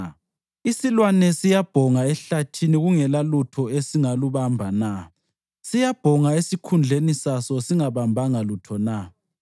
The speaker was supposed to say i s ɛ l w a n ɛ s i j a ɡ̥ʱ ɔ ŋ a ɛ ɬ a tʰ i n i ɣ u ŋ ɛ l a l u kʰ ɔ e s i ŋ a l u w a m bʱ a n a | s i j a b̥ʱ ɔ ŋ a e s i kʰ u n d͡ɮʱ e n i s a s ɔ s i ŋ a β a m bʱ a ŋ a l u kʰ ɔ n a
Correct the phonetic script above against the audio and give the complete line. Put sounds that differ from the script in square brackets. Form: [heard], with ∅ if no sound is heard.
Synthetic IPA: i s [i] l w a n ɛ s i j a [b̥ʱ] ɔ ŋ a ɛ ɬ a tʰ i n i ɣ u ŋ ɛ l a l u [tʰ] ɔ e s i ŋ a l u [β] a m bʱ a n a | s i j a b̥ʱ ɔ ŋ a e s i kʰ u n d͡ɮʱ e n i s a s ɔ s i ŋ a β a m bʱ a ŋ a l u [tʰ] ɔ n a